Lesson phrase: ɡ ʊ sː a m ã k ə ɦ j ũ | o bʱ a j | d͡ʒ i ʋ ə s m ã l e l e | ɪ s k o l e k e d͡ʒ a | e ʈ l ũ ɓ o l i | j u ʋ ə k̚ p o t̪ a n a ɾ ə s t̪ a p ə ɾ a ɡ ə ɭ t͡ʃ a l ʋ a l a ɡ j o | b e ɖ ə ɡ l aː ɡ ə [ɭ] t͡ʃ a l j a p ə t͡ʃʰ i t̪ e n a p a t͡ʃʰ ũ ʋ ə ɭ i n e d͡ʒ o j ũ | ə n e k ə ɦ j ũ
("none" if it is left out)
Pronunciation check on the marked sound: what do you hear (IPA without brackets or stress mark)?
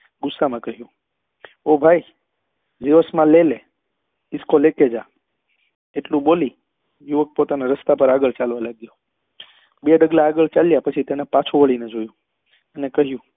ɭ